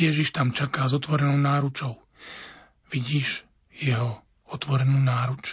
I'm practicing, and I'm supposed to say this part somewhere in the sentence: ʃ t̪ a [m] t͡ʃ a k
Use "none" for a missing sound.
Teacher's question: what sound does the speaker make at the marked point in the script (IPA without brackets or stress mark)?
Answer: m